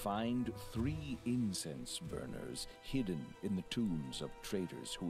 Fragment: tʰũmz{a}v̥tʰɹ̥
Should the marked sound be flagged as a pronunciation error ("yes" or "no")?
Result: yes